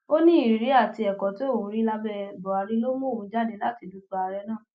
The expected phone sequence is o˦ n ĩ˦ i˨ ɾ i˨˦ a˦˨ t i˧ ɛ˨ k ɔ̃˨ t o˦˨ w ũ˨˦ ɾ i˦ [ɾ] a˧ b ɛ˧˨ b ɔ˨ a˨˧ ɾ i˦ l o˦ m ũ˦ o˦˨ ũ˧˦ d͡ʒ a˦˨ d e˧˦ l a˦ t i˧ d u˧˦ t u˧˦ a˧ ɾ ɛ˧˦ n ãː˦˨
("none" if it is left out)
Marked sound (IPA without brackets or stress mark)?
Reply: l